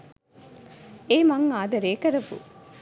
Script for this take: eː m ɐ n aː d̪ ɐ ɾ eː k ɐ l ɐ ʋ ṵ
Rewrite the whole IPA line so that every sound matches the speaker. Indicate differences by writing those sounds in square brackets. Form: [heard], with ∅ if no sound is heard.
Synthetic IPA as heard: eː m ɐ [ŋ] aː d̪ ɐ ɾ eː k ɐ [ɾ] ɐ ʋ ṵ